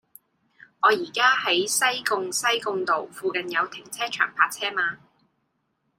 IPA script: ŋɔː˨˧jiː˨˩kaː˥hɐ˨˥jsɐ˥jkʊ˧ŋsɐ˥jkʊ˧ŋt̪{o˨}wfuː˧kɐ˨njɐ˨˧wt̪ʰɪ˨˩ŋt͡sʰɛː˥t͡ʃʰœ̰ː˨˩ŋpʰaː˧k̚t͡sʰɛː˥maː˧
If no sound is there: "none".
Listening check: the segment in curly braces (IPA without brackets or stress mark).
o˨